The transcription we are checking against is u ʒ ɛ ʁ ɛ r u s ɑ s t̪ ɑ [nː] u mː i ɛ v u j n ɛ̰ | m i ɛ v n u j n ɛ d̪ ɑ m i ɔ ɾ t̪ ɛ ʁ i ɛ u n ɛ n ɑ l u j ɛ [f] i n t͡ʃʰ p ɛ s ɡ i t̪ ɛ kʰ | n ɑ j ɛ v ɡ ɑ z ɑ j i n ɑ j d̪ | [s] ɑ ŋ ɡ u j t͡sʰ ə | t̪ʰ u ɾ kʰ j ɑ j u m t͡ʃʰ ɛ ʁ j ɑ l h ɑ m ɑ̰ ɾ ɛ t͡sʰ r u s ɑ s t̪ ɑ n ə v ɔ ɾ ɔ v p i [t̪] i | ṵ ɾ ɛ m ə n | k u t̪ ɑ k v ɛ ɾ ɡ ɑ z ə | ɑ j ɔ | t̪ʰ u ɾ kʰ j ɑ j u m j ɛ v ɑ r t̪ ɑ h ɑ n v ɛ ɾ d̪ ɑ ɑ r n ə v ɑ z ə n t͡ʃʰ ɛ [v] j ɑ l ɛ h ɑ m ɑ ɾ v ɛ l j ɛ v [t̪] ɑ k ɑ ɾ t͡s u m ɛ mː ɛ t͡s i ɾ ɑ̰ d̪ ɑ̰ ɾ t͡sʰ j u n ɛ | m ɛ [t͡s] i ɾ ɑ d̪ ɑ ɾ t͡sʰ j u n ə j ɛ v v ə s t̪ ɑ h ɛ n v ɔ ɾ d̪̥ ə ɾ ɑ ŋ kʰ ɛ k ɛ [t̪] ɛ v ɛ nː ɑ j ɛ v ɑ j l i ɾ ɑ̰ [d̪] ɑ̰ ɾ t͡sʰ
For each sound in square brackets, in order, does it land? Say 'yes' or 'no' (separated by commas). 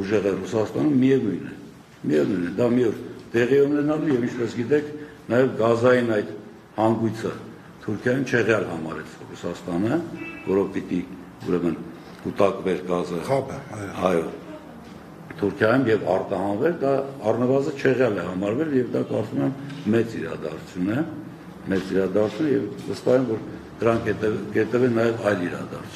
no, no, no, yes, no, no, yes, yes, yes